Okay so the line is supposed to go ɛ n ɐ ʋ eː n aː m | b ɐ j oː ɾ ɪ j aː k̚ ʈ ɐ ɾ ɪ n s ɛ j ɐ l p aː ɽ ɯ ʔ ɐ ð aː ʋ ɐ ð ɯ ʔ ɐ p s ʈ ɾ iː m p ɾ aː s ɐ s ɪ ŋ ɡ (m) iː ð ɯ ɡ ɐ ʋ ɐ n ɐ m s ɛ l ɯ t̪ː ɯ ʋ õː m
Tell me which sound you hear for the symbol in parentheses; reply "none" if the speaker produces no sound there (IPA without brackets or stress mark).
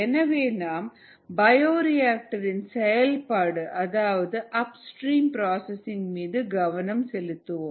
m